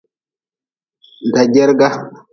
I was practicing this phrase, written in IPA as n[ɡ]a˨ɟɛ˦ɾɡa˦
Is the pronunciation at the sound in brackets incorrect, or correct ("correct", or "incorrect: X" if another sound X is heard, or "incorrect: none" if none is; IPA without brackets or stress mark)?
incorrect: d